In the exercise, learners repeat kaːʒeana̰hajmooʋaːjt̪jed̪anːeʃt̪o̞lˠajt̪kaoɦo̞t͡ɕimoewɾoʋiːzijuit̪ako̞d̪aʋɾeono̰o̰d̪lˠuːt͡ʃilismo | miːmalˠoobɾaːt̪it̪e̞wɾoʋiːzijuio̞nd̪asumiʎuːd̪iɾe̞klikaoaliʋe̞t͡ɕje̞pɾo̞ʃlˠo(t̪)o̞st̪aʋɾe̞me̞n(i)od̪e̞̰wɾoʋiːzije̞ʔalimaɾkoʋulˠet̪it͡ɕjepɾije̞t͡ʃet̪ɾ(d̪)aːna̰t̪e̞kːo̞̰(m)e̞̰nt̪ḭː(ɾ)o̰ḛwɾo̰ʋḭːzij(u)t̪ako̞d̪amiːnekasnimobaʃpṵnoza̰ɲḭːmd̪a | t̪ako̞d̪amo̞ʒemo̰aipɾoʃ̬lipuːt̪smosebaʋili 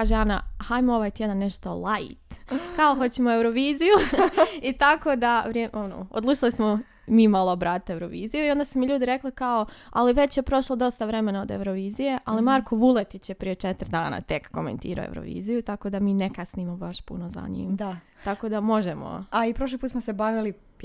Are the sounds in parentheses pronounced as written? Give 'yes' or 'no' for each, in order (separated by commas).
no, no, yes, yes, yes, yes